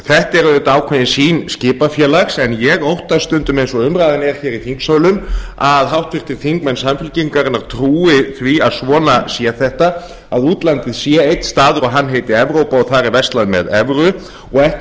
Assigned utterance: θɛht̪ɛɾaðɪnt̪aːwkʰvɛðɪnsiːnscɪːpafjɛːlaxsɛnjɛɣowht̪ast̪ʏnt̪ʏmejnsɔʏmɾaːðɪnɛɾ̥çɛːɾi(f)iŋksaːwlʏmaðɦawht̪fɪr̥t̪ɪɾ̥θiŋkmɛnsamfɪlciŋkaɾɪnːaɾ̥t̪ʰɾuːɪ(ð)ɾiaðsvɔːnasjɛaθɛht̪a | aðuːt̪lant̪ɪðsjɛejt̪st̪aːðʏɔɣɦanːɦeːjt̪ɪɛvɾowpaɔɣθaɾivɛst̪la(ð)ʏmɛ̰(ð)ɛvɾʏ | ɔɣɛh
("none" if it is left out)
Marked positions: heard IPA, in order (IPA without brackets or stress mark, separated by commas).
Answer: θ, θ, ð, ð